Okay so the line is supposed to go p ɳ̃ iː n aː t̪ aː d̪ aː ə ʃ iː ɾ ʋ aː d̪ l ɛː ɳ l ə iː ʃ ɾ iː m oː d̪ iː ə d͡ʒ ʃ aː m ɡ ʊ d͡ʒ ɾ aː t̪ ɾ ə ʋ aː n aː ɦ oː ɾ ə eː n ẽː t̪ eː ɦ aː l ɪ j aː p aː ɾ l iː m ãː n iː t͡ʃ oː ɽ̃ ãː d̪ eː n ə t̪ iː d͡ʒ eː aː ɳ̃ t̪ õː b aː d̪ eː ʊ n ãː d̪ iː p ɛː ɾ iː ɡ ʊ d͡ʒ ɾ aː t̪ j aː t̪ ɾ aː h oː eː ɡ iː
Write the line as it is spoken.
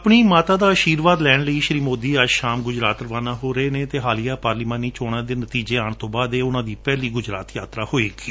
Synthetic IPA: p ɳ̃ iː m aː t̪ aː d̪ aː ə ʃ iː ɾ ʋ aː d̪ l ɛː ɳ l ə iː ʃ ɾ iː m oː d̪ iː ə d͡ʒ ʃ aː m ɡ ʊ d͡ʒ ɾ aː t̪ ɾ ə ʋ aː n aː ɦ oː ɾ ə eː n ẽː t̪ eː ɦ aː l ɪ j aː p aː ɾ l iː m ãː n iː t͡ʃ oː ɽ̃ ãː d̪ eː n ə t̪ iː d͡ʒ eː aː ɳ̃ t̪ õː b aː d̪ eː ʊ n ãː d̪ iː p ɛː l iː ɡ ʊ d͡ʒ ɾ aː t̪ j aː t̪ ɾ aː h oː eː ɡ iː